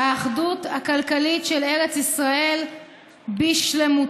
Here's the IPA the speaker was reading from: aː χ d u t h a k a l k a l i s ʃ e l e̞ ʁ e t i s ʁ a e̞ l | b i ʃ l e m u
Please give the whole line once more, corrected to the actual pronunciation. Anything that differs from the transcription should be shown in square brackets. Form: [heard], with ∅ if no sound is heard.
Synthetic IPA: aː χ d u t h a k a l k a l i [t] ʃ e l e̞ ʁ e [t͡s] i s ʁ a e̞ l | b i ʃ l e m u